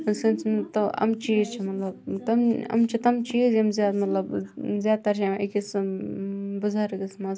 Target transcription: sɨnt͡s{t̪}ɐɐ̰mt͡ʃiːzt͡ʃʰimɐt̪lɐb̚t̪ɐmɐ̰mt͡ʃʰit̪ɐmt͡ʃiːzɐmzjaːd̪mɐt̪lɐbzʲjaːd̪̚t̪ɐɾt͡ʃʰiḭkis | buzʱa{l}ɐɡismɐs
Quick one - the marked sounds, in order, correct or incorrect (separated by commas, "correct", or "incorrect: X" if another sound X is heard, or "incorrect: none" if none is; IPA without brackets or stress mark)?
correct, incorrect: ɾ